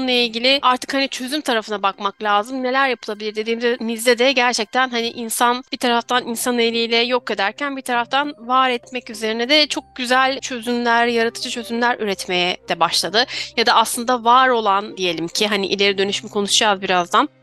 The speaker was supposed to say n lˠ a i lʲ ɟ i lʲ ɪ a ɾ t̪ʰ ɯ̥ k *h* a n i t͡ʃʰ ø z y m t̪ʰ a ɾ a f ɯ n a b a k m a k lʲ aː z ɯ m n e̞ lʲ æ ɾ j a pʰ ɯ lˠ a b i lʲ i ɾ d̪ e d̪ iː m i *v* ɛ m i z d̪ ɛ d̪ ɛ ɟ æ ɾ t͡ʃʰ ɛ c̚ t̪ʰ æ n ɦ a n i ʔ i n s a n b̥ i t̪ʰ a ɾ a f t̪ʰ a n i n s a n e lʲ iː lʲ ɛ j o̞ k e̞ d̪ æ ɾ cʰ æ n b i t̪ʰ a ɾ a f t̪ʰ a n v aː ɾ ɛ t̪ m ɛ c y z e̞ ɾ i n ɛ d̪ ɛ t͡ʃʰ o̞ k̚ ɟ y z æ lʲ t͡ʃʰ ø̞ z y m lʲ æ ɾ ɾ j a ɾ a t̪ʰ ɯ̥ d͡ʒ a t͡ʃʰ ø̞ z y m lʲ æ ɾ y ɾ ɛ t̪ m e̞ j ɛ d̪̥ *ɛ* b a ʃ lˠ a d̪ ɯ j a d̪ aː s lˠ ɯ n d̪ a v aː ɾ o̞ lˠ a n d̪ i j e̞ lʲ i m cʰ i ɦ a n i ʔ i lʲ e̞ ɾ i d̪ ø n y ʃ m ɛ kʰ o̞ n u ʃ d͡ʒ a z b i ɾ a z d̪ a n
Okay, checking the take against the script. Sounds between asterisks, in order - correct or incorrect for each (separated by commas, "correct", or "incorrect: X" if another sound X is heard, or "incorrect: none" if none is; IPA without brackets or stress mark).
correct, incorrect: z, correct